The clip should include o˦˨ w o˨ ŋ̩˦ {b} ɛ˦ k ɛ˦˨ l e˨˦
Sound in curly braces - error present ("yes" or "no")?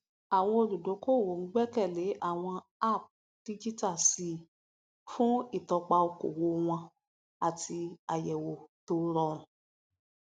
yes